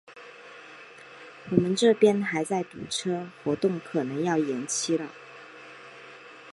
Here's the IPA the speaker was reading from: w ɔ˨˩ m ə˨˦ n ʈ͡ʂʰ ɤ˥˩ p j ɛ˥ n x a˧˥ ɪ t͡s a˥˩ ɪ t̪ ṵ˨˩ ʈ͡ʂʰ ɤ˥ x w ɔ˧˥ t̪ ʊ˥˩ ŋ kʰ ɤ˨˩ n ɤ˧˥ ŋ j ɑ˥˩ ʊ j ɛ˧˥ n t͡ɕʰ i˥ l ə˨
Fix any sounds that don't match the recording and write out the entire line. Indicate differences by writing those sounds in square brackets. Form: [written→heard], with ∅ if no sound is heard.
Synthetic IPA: w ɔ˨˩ m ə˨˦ n [ʈ͡ʂʰ→ʈ͡ʂ] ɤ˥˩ p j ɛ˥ n x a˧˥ ɪ t͡s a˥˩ ɪ t̪ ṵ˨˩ ʈ͡ʂʰ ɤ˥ x w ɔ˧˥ t̪ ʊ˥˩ ŋ kʰ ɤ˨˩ n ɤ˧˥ ŋ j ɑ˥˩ ʊ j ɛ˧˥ n t͡ɕʰ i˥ l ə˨